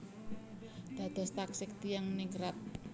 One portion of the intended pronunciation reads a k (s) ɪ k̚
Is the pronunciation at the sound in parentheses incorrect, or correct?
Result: correct